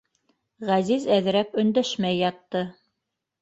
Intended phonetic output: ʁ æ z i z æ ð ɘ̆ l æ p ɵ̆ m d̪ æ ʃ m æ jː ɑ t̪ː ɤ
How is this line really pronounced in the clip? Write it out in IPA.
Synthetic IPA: ʁ æ z i z æ ð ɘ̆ ɾ æ p ɵ̆ n d̪ æ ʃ m æ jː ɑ t̪ː ɤ